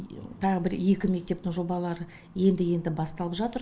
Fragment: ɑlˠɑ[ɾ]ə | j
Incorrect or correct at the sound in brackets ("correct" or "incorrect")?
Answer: correct